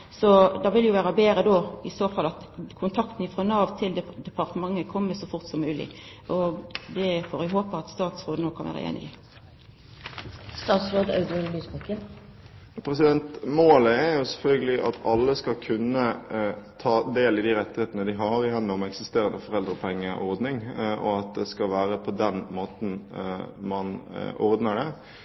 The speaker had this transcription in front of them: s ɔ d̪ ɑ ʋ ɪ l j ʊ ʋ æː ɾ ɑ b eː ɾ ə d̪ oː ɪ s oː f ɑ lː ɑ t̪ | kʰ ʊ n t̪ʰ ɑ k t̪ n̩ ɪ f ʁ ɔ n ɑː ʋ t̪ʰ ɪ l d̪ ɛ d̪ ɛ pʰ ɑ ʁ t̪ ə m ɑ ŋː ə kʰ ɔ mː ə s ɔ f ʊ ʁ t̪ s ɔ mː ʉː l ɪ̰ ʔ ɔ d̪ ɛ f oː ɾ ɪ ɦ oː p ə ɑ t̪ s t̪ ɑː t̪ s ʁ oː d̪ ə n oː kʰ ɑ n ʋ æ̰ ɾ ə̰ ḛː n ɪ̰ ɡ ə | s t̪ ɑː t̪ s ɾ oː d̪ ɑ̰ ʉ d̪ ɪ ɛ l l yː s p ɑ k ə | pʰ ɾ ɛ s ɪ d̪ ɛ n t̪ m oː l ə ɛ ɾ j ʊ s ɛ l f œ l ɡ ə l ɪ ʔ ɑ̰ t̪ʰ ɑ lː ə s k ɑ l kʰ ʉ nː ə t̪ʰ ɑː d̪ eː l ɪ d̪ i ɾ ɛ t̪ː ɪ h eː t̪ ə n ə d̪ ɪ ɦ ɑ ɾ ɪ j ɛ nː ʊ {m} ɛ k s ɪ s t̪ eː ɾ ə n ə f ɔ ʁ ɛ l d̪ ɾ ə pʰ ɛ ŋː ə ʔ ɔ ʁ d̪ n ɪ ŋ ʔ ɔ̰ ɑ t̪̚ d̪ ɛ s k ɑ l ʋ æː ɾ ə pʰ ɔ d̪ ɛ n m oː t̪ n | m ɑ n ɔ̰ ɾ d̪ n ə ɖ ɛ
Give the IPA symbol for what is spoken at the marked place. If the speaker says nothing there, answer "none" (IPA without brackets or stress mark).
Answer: m